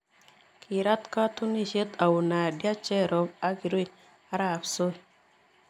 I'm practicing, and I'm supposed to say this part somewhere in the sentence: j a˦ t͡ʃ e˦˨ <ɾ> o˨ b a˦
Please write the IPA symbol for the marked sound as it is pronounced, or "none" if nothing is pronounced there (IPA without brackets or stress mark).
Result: ɾ